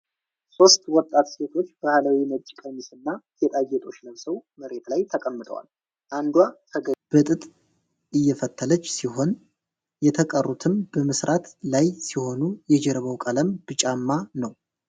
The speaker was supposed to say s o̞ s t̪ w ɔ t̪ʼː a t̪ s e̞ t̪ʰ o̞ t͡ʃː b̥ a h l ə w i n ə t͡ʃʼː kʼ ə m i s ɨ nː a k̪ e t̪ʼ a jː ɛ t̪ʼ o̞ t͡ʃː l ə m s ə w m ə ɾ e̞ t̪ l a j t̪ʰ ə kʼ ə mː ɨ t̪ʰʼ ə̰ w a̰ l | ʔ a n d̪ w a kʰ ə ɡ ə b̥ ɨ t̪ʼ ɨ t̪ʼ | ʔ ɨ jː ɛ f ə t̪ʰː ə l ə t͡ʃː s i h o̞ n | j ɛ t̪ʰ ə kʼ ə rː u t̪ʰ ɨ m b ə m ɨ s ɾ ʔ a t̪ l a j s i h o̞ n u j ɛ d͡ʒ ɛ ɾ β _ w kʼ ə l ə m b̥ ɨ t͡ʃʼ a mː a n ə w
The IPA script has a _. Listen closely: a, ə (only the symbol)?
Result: ə